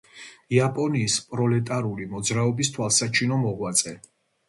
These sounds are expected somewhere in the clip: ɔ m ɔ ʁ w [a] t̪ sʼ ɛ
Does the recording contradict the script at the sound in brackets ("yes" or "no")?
no